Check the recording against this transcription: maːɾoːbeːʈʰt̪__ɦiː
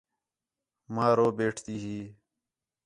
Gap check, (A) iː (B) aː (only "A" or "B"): A